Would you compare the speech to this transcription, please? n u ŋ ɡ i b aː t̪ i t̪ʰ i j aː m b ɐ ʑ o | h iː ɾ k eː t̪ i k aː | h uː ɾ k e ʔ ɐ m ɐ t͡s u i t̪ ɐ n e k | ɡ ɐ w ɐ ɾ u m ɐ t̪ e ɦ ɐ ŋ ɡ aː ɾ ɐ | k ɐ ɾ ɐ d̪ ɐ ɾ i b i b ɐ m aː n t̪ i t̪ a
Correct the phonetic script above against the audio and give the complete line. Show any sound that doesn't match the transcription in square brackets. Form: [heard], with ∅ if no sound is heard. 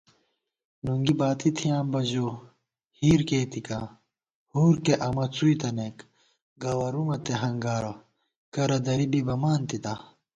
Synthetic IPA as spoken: n u ŋ ɡ i b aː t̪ i t̪ʰ i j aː m b ɐ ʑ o | h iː ɾ k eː t̪ i k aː | h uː ɾ k e ʔ ɐ m ɐ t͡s u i t̪ ɐ n e k | ɡ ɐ w ɐ ɾ u m ɐ t̪ e ɦ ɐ ŋ ɡ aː ɾ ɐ | k ɐ ɾ ɐ d̪ ɐ ɾ i b i b ɐ m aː n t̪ i t̪ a